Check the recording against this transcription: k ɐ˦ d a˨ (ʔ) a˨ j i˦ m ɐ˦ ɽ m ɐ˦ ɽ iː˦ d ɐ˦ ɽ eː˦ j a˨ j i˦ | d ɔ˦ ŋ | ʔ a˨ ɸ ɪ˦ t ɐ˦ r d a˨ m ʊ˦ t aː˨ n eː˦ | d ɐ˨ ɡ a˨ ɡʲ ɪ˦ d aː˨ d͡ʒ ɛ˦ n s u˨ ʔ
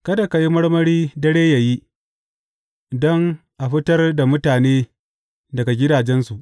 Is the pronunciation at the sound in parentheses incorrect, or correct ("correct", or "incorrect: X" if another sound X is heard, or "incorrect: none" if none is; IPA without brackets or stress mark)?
incorrect: k